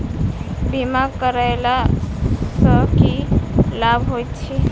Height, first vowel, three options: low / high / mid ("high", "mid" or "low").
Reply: high